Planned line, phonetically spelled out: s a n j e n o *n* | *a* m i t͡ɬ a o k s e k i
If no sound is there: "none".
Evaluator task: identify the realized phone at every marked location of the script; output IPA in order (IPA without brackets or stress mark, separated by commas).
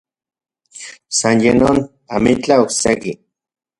n, a